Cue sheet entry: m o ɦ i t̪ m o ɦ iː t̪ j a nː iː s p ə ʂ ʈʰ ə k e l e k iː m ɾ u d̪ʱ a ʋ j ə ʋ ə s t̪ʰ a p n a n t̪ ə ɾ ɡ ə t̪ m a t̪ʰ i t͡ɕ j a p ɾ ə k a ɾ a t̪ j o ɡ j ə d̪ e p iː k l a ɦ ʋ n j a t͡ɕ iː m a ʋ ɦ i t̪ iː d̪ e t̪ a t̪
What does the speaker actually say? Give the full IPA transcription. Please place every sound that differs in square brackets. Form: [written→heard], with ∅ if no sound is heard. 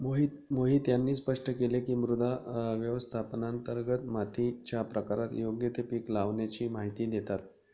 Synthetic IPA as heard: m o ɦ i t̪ m o ɦ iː t̪ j a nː iː s p ə ʂ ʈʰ ə k e l e k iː m ɾ u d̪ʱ a ʋ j ə ʋ ə s t̪ʰ a p n a n t̪ ə ɾ ɡ ə t̪ m a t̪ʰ i t͡ɕ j a p ɾ ə k a ɾ a t̪ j o ɡ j ə [d̪→t̪] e p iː k l a [ɦ→∅] ʋ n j a t͡ɕ iː m a [ʋ→∅] ɦ i t̪ iː d̪ e t̪ a t̪